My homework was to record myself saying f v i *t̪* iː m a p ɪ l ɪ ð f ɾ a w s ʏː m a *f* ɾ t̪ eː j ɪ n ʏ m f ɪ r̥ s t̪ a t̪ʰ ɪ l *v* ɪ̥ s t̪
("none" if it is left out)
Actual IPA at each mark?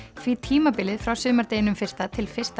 t̪ʰ, none, f

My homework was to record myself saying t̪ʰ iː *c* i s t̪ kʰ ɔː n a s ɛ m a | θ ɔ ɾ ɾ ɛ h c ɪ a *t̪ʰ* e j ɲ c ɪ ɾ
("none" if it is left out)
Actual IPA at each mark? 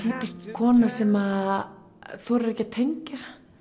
p, t̪ʰ

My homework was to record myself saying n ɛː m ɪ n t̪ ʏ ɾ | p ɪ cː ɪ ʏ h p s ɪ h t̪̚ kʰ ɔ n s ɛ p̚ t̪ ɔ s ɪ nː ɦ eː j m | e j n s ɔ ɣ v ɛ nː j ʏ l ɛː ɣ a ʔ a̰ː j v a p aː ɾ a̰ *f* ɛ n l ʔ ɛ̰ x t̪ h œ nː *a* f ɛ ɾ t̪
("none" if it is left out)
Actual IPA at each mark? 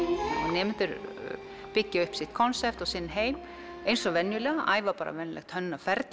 v, a

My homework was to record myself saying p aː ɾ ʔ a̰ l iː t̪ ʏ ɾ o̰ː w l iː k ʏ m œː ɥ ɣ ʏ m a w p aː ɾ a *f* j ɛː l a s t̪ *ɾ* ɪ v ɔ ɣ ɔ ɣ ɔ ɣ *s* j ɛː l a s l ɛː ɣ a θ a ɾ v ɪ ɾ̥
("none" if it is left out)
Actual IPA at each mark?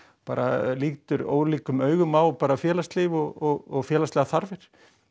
f, l, f

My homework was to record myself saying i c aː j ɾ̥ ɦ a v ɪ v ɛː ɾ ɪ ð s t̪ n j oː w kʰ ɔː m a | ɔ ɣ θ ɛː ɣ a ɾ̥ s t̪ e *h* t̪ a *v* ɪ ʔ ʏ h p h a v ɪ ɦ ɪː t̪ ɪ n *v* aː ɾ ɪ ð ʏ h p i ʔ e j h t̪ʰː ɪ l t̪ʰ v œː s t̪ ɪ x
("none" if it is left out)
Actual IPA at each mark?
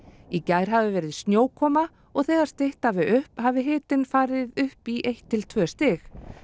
h, v, f

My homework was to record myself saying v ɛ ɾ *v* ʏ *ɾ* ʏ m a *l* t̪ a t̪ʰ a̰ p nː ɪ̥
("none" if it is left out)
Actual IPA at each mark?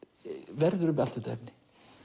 ð, ɾ, l

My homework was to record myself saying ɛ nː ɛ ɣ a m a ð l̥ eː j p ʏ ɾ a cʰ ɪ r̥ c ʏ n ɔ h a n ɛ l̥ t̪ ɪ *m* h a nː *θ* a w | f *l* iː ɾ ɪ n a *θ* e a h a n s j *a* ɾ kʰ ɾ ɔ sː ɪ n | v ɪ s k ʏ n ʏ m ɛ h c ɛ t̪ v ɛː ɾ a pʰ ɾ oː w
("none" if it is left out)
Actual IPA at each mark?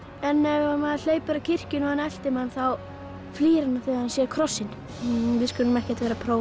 m, θ, l, θ, ɛ

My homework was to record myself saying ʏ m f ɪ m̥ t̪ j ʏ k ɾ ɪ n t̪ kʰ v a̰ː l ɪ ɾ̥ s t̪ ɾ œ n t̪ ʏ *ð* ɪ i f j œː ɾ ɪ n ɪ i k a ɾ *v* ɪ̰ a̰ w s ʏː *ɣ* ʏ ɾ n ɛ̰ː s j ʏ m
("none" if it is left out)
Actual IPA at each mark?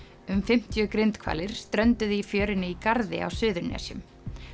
ð, ð, ð

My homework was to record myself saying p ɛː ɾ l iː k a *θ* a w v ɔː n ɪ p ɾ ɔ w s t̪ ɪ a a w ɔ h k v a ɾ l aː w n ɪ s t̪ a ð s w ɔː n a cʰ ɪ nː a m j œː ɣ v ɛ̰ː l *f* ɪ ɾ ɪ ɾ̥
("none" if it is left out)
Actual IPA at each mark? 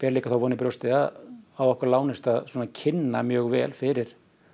θ, f

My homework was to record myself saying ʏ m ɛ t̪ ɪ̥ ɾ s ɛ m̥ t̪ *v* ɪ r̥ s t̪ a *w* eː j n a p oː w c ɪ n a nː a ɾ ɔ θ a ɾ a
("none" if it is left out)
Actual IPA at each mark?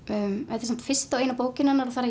f, w

